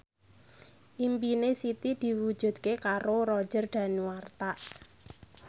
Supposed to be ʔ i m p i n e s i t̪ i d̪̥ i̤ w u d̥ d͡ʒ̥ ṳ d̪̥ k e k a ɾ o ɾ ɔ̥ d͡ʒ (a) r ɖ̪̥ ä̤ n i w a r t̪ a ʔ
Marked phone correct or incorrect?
incorrect